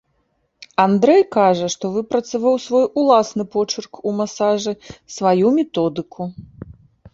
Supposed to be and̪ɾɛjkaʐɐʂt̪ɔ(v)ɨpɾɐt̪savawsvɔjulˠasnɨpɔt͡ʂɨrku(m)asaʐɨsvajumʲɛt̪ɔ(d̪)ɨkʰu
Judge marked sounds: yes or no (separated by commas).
yes, yes, yes